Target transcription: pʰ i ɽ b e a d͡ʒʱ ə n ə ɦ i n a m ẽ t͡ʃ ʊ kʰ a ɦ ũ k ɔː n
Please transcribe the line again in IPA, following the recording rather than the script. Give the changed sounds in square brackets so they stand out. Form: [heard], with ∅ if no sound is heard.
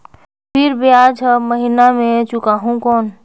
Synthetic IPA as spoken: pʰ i [ɾ] b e a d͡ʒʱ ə [m] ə ɦ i n a m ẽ t͡ʃ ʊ [k] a ɦ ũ k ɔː n